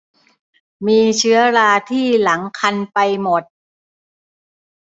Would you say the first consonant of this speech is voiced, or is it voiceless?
voiced